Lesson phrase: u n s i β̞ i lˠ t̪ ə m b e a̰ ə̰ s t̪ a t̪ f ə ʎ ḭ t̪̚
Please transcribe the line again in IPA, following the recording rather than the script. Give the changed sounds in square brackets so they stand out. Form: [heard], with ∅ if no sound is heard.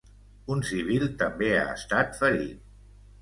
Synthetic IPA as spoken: u n s i β̞ i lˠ t̪ ə m b e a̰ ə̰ s t̪ a t̪ f ə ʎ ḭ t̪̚